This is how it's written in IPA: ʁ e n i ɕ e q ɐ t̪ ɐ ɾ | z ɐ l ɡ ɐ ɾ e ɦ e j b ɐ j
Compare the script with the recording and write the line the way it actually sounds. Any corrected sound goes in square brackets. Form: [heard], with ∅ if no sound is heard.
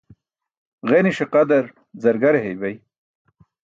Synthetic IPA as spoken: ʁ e n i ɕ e q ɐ [d̪] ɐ ɾ | z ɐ [ɾ] ɡ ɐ ɾ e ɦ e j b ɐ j